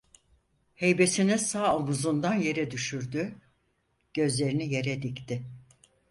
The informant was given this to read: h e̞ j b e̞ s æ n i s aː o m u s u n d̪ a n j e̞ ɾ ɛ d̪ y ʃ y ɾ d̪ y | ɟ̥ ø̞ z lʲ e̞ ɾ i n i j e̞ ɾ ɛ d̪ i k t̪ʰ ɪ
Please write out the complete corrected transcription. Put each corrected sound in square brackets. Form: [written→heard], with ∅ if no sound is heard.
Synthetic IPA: h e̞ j b e̞ s [æ→i] n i s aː o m u [s→z] u n d̪ a n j e̞ ɾ ɛ d̪ y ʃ y ɾ d̪ y | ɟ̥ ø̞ z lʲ e̞ ɾ i n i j e̞ ɾ ɛ d̪ i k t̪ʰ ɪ

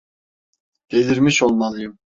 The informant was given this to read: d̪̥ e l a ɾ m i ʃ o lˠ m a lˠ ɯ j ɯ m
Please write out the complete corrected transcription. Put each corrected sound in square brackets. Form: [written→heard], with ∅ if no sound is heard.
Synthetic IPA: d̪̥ e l [a→i] ɾ m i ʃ o lˠ m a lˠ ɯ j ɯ m

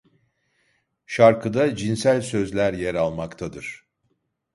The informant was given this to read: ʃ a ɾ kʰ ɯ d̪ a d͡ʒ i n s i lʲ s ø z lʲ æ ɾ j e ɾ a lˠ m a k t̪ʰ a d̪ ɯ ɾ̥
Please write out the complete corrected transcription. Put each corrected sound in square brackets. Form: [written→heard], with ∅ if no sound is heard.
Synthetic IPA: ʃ a ɾ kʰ ɯ d̪ a d͡ʒ i n s [i→æ] lʲ s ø z lʲ æ ɾ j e ɾ a lˠ m a k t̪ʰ a d̪ ɯ ɾ̥

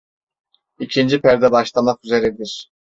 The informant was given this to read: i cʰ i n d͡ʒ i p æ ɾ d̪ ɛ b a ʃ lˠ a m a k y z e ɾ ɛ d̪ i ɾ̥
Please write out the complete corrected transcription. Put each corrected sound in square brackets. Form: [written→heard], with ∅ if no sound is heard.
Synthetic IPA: i cʰ i n d͡ʒ i p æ ɾ d̪ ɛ b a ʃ lˠ a m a k y z e ɾ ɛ d̪ i ɾ̥

